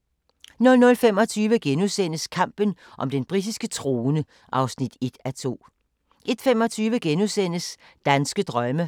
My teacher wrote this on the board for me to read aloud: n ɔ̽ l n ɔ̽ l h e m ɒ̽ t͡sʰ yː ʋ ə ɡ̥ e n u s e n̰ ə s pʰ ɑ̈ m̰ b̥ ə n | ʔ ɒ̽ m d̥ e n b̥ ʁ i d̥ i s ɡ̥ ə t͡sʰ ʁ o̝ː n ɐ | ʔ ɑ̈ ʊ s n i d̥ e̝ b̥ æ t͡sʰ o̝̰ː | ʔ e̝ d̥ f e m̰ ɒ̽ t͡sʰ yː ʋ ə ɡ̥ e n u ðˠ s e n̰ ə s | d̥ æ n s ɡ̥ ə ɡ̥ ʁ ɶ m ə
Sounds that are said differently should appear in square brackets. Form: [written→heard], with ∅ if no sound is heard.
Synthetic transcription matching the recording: n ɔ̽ l n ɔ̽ l [h→f] e m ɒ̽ t͡sʰ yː ʋ ə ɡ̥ e n u s e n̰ ə s [pʰ→kʰ] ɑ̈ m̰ b̥ ə n | ʔ ɒ̽ m d̥ e n b̥ ʁ i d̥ i s ɡ̥ ə t͡sʰ ʁ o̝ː n [ɐ→ə] | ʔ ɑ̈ ʊ s n i d̥ e̝ [b̥→d̥] æ t͡sʰ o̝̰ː | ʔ e̝ d̥ f e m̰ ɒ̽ t͡sʰ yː ʋ ə ɡ̥ e n u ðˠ s e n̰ ə s | d̥ æ n s ɡ̥ ə [ɡ̥→d̥] ʁ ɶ m ə